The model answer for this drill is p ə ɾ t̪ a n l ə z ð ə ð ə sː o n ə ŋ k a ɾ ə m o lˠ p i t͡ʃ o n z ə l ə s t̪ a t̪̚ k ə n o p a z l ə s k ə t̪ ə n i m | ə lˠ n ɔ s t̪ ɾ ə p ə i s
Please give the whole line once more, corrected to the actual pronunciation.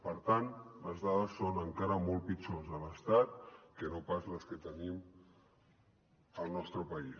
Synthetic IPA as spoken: p ə ɾ t̪ a n l ə z ð a ð ə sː o n ə ŋ k a ɾ ə m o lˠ p i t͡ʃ o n z ə l ə s t̪ a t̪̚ k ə n o p a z l ə s k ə t̪ ə n i m | ə lˠ n ɔ s t̪ ɾ ə p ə i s